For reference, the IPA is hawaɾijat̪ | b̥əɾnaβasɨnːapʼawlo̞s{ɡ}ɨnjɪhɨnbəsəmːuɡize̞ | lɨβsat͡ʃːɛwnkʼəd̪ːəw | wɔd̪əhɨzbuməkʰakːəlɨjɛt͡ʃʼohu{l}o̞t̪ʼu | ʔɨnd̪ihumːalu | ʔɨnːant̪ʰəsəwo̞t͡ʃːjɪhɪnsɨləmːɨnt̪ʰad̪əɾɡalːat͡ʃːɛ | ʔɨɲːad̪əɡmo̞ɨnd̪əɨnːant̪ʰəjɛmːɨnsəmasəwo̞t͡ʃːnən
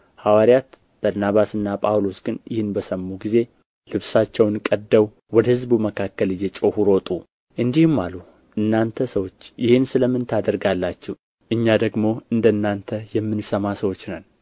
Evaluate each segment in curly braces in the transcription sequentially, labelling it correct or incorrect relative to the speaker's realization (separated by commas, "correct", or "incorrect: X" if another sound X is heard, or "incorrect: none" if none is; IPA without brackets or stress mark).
correct, incorrect: ɾ